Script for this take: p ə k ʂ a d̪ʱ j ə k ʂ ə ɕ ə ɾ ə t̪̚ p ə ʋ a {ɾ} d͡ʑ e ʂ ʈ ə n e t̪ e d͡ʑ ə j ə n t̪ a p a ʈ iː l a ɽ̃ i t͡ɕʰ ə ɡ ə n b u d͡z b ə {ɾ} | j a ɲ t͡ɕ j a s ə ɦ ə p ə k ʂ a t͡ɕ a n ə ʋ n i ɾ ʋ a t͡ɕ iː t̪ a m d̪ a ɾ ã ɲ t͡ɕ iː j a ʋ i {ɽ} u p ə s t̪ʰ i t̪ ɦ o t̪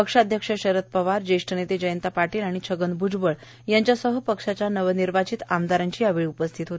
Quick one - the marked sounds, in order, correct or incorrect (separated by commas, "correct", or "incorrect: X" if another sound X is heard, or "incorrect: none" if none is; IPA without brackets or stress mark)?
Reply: correct, incorrect: ɭ, incorrect: ɭ